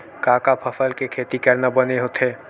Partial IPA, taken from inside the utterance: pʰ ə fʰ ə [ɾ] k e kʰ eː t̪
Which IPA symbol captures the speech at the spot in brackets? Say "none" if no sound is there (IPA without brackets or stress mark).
l